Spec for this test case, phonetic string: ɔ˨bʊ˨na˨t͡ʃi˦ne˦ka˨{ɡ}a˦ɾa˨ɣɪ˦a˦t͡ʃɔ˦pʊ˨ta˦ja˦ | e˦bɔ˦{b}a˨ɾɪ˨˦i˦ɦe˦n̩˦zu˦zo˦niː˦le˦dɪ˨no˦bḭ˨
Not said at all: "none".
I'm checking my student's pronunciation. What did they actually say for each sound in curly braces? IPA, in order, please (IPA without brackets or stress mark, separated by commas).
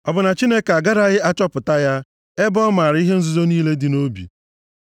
ɡ, m